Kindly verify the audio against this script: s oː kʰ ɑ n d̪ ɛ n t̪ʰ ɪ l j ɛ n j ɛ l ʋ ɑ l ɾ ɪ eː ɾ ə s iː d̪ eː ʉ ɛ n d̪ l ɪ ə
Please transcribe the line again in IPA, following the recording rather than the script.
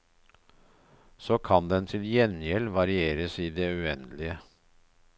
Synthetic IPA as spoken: s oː kʰ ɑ n d̪ ɛ n t̪ʰ ɪ l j ɛ n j ɛ l ʋ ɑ ɾ ɪ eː ɾ ə s iː d̪ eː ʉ ɛ n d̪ l ɪ ə